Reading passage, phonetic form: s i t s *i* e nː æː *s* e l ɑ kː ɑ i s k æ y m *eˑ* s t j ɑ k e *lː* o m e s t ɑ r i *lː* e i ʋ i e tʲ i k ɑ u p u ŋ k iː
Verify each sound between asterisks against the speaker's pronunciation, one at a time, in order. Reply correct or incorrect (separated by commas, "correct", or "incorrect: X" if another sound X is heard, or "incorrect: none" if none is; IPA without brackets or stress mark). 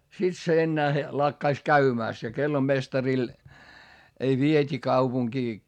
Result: incorrect: e, incorrect: h, incorrect: æˑ, correct, incorrect: l